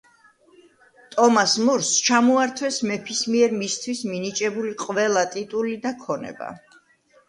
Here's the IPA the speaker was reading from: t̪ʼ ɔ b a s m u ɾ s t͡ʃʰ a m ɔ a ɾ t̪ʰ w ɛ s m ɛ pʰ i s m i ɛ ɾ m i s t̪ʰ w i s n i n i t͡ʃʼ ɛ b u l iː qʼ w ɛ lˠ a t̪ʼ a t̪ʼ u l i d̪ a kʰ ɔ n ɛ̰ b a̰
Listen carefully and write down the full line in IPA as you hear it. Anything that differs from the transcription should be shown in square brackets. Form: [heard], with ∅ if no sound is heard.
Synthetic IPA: t̪ʼ ɔ [m] a s m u ɾ s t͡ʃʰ a m ɔ a ɾ t̪ʰ w ɛ s m ɛ pʰ i s m i ɛ ɾ m i s t̪ʰ w i s [m] i n i t͡ʃʼ ɛ b u l [i] qʼ [v] ɛ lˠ a t̪ʼ [i] t̪ʼ u l i d̪ a kʰ ɔ n ɛ̰ b a̰